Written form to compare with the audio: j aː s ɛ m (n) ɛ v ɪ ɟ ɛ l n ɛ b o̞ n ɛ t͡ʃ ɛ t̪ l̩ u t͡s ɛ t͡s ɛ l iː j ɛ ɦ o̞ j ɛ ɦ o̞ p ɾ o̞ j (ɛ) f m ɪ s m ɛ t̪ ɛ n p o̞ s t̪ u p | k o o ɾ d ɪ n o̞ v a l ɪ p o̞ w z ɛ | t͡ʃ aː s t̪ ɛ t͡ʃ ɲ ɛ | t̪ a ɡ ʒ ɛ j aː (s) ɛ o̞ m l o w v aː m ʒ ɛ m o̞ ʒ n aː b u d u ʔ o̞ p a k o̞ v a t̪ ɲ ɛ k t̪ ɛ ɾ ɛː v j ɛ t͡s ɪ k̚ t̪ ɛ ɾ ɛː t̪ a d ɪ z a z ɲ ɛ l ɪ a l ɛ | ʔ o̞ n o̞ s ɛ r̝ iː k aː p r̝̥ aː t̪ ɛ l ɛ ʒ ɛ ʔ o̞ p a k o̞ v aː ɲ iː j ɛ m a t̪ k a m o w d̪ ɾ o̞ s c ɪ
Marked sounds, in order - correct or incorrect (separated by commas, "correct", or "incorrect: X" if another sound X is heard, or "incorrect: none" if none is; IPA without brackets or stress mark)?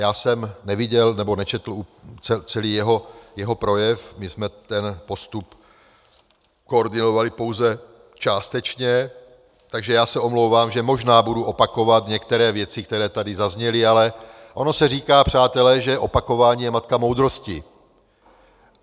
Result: correct, correct, correct